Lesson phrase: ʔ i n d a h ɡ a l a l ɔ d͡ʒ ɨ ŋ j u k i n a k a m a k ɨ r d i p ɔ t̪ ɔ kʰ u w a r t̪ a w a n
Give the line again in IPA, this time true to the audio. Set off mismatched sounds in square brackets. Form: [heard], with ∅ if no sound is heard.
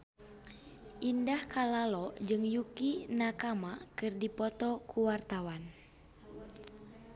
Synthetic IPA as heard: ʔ i n d a h [k] a l a l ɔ d͡ʒ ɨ ŋ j u k i n a k a m a k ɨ r d i p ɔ t̪ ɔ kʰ u w a r t̪ a w a n